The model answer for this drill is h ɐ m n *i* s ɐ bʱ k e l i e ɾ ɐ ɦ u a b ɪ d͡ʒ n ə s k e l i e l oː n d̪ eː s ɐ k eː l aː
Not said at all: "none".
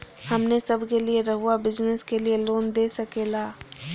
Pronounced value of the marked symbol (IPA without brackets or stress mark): e